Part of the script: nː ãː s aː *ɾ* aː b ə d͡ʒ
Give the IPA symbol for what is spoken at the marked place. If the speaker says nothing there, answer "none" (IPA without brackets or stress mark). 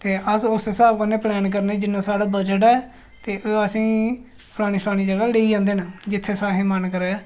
ɽ